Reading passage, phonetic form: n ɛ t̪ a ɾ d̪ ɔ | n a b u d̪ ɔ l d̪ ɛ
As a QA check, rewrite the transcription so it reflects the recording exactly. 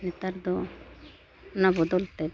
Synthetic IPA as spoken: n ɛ t̪ a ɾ d̪ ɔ | n a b ɔ d̪ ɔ l t̪ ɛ

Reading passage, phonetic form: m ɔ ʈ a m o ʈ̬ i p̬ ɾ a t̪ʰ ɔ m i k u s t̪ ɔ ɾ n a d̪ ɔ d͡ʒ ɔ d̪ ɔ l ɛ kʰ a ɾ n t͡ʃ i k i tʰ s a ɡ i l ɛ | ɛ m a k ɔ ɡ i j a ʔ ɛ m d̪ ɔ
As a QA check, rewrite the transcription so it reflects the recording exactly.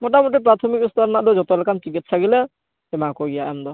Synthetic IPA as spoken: m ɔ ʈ a m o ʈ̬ i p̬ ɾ a t̪ʰ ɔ m i k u s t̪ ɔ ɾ n a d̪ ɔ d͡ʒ ɔ t̪ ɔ l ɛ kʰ a n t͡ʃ i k i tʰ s a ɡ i l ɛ | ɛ m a k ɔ ɡ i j a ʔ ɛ m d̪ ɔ

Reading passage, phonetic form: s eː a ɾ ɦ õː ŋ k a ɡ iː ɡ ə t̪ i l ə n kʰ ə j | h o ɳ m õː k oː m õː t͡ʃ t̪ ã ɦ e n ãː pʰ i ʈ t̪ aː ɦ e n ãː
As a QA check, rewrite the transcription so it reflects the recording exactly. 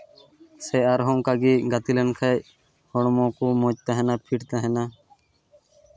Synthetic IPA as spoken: s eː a ɾ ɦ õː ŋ k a ɡ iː ɡ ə t̪ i l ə n kʰ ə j | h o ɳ m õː k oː m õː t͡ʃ t̪ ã ɦ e n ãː pʰ i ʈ t̪ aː ɦ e n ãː

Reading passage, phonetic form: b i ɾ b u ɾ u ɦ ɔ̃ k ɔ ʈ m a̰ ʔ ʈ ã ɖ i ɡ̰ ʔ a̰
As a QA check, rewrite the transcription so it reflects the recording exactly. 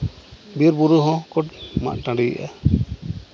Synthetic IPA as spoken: b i ɾ b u ɾ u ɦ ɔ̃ k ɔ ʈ m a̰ ʔ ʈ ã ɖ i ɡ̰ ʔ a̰

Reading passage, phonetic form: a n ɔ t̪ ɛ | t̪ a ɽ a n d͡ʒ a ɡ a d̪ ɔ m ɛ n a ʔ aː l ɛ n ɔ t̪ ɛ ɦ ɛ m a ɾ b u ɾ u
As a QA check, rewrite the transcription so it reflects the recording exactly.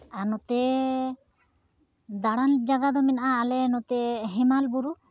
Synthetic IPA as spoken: a n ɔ t̪ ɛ | d̪ a ɽ a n d͡ʒ a ɡ a d̪ ɔ m ɛ n a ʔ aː l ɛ n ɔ t̪ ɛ ɦ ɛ m a l b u ɾ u

